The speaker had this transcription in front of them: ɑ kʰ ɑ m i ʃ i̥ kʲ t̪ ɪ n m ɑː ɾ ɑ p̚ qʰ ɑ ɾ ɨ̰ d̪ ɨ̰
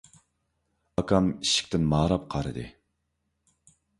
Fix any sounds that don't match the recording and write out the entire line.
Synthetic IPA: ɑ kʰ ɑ m i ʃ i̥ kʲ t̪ ɪ n m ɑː ɾ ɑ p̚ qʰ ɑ ɾ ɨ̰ d̪ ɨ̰